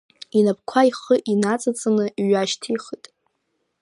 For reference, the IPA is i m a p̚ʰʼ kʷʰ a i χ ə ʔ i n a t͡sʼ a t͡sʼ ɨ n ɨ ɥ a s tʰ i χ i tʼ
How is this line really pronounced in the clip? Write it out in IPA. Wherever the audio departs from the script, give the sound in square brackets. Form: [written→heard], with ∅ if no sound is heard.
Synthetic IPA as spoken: i [m→n] a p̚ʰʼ kʷʰ a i χ ə ʔ i n a t͡sʼ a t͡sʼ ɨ n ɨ ɥ a [s→ʃ] tʰ i χ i tʼ